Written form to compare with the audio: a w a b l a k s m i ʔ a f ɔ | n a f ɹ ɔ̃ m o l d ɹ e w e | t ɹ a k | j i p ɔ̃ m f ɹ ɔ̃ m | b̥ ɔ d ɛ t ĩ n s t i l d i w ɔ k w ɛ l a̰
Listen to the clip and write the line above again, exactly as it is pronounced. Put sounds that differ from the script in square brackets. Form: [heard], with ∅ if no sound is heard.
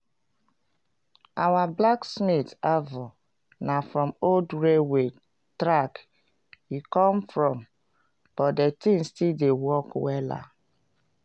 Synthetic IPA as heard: a w a b l a k s m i [t] a [v] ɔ | n a f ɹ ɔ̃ m o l d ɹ e w e | t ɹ a k | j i [k] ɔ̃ m f ɹ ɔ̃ m | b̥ ɔ d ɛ t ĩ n s t i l d [e] w ɔ k w ɛ l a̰